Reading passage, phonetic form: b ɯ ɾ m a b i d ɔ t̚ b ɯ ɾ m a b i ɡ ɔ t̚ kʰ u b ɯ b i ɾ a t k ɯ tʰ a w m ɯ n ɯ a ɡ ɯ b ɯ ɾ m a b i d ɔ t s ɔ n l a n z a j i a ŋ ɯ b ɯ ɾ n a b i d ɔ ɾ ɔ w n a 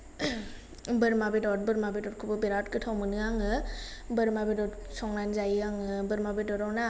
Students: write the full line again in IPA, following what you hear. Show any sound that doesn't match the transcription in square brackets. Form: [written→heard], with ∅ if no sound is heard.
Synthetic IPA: b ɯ ɾ m a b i d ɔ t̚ b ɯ ɾ m a b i [ɡ→d] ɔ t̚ kʰ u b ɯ b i ɾ a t k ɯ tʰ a w m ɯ n ɯ a [ɡ→ŋ] ɯ b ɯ ɾ m a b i d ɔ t s ɔ [n→ŋ] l a n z a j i a ŋ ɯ b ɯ ɾ [n→m] a b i d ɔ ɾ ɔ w n a